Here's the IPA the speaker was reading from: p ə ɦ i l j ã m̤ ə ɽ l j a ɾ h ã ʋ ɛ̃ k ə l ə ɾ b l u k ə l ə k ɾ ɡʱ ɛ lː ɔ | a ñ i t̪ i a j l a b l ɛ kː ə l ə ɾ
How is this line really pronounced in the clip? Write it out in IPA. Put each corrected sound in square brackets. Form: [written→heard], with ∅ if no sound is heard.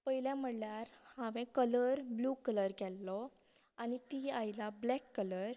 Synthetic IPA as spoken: p ə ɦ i l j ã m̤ ə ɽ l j a ɾ h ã ʋ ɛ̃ k ə l ə ɾ b l u k ə l ə [k→∅] ɾ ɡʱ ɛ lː ɔ | a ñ i t̪ i a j l a b l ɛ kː ə l ə ɾ